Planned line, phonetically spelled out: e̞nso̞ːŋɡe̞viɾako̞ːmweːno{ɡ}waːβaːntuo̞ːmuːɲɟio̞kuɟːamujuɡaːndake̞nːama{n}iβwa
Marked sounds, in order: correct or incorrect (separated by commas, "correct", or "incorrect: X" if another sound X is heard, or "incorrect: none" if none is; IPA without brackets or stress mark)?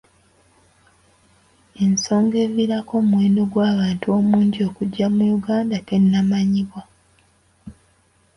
correct, incorrect: ɲ